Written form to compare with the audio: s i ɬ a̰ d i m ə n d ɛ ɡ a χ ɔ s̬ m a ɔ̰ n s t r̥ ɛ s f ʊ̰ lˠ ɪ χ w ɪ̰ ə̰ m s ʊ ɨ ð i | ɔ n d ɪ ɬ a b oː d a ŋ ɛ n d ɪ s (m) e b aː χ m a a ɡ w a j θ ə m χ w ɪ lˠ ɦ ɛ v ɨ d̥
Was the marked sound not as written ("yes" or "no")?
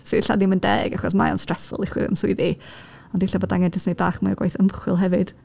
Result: yes